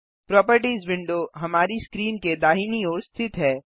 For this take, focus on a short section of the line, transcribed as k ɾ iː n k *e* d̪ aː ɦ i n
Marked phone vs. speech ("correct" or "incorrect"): correct